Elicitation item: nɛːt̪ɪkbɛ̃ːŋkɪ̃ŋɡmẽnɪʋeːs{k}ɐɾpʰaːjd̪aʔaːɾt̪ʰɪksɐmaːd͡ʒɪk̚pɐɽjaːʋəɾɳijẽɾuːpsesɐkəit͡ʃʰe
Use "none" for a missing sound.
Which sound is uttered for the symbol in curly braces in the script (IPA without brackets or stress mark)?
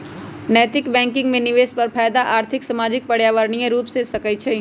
p